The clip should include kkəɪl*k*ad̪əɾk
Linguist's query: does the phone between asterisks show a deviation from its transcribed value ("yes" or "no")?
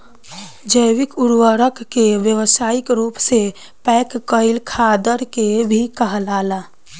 yes